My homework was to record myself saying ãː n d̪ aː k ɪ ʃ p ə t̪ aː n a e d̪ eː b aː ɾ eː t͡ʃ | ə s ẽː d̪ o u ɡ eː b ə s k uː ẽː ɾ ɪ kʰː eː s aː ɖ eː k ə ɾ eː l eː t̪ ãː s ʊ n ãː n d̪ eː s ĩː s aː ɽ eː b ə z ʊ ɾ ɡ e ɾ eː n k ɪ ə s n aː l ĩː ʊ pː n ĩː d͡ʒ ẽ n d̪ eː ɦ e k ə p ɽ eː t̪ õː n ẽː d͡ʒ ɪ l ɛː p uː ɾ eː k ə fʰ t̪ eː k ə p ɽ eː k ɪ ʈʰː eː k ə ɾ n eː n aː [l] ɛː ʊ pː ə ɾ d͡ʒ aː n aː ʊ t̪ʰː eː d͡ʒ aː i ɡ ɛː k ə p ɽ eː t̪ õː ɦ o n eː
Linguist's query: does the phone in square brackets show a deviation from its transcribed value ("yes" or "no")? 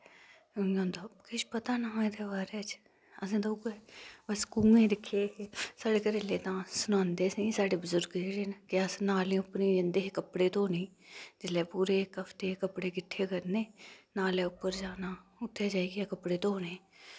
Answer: no